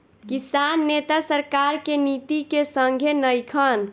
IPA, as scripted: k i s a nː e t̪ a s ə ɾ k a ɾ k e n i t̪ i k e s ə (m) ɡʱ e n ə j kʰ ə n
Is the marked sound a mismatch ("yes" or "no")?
yes